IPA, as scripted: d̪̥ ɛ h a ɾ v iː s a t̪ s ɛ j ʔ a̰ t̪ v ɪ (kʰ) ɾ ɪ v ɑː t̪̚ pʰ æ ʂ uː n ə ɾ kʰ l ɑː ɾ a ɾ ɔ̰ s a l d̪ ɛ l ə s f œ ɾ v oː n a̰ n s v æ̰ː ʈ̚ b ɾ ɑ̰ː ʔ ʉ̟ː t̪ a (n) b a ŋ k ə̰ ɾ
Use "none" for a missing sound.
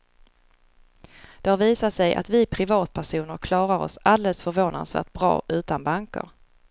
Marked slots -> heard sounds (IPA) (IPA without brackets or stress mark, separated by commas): pʰ, n